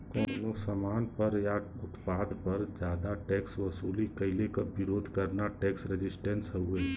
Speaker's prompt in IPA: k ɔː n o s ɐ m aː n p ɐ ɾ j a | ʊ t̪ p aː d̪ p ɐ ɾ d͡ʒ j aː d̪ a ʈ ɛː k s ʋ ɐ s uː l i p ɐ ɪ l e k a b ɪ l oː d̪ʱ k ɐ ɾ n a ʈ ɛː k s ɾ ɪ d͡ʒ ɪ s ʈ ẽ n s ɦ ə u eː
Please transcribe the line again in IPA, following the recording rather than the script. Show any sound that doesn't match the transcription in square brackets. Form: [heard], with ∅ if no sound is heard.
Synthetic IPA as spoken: k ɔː n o s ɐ m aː n p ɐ ɾ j a | ʊ t̪ p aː d̪ p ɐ ɾ d͡ʒ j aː d̪ a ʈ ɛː k s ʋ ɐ s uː l i [k] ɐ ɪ l e k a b ɪ [ɾ] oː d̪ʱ k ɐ ɾ n a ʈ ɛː k s ɾ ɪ d͡ʒ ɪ s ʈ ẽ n s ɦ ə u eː